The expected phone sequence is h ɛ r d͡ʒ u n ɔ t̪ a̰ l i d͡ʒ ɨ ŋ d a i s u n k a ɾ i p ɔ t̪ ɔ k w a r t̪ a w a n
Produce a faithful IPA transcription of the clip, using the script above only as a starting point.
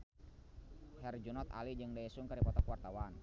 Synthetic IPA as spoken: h ɛ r d͡ʒ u n ɔ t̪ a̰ l i d͡ʒ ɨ ŋ d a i s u ŋ k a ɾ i p ɔ t̪ ɔ k w a r t̪ a w a n